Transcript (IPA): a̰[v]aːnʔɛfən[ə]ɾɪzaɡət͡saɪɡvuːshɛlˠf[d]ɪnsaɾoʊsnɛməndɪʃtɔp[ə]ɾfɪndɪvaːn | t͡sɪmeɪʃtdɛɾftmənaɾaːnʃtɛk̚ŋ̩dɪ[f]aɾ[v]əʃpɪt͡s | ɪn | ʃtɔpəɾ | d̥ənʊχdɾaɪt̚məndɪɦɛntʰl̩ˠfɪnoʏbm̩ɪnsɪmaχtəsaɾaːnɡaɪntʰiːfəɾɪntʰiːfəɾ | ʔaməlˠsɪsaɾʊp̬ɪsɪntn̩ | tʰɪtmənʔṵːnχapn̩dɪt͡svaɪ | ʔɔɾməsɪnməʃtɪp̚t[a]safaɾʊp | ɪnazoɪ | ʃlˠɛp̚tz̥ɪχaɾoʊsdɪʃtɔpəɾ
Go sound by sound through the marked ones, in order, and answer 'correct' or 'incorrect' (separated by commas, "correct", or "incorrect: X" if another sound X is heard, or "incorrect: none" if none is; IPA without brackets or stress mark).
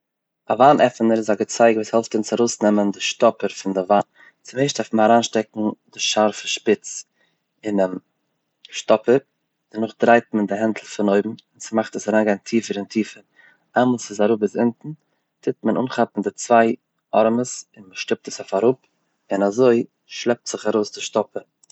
correct, correct, incorrect: t, correct, incorrect: ʃ, incorrect: f, incorrect: ə